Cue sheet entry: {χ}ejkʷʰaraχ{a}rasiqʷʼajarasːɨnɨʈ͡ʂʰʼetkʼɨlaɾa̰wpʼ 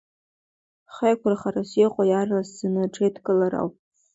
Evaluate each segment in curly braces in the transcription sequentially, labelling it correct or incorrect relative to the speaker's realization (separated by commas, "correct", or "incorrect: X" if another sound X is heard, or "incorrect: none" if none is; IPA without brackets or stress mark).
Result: correct, correct